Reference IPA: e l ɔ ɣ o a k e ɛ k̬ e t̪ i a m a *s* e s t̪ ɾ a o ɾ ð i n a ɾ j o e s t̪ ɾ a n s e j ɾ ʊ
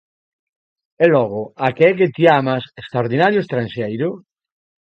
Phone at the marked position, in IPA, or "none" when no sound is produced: s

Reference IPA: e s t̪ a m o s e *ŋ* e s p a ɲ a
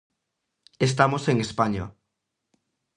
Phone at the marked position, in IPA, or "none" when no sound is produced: ŋ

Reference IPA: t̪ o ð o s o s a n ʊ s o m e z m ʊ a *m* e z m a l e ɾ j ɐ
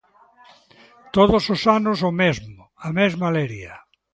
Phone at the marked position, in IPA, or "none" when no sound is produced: m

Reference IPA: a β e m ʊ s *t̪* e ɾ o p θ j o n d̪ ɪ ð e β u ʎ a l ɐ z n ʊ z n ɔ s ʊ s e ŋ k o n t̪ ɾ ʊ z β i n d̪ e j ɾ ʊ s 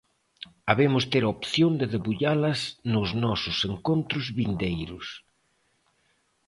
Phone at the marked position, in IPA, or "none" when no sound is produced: t̪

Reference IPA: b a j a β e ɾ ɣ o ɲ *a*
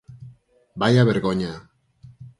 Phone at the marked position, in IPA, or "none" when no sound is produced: a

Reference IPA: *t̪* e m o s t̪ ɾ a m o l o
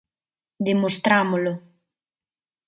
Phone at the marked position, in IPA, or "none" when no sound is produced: d̪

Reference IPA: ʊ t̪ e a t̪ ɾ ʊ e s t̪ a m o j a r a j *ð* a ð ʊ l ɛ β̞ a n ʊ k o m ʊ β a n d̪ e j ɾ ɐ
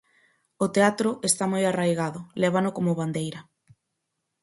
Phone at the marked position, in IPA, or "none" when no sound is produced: ɣ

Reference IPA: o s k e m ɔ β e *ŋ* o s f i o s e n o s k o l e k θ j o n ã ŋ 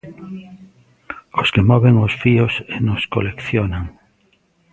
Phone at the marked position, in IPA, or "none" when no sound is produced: ŋ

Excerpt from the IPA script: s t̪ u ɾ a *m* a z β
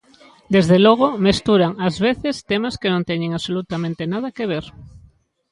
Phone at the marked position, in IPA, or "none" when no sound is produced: ŋ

